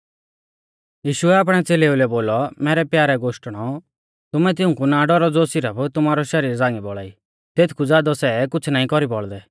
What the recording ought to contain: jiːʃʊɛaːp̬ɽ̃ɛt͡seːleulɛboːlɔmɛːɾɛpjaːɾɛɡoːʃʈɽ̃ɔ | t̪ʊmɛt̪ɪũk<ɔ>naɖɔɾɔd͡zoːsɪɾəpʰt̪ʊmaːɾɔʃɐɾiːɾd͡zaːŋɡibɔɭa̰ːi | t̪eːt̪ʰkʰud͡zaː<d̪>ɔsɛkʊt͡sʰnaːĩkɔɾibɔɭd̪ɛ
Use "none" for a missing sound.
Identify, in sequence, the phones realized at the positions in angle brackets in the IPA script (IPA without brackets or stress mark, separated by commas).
u, d̪